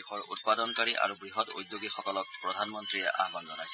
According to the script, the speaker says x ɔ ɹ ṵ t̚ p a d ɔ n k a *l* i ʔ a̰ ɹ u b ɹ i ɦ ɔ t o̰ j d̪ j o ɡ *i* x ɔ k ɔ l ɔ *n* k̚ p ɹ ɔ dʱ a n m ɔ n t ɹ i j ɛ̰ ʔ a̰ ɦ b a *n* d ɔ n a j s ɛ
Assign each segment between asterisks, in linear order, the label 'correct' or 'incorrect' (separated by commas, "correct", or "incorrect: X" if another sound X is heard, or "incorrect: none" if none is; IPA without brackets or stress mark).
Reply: incorrect: ɹ, correct, incorrect: none, correct